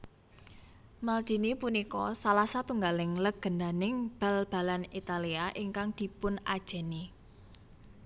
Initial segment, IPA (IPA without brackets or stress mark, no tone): m